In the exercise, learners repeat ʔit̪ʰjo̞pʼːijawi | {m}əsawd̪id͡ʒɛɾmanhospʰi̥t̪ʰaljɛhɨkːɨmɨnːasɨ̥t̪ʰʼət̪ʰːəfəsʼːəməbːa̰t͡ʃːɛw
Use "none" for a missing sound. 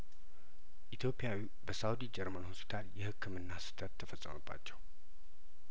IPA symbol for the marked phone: b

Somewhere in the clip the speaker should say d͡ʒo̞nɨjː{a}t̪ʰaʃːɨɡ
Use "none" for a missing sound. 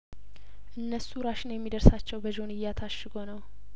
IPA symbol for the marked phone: a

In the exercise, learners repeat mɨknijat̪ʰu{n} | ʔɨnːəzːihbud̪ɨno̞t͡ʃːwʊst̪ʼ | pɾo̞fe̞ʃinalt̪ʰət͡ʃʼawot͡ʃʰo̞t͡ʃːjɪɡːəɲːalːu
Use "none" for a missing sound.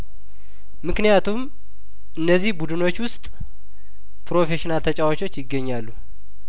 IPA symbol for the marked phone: m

